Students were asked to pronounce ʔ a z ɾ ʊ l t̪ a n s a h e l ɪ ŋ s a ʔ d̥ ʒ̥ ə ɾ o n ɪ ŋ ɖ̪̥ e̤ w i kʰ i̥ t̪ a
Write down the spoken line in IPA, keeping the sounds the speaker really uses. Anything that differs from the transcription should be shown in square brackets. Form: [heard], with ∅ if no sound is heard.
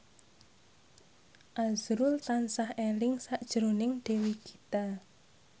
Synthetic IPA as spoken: ʔ a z ɾ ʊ l t̪ a n s a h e l ɪ ŋ s a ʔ d̥ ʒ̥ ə ɾ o n ɪ ŋ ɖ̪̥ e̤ w i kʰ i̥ t̪ a